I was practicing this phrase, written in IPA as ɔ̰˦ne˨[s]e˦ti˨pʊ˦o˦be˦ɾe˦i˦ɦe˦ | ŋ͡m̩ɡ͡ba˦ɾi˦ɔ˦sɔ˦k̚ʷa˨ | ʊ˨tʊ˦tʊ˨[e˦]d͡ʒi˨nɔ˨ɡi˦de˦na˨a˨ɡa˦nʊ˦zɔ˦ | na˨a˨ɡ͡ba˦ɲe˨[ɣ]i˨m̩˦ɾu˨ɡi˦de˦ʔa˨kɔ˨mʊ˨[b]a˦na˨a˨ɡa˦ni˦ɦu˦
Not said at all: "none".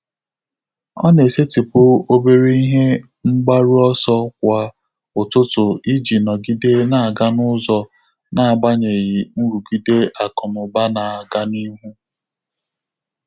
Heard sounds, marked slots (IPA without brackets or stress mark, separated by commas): s, i˦, ɣ, b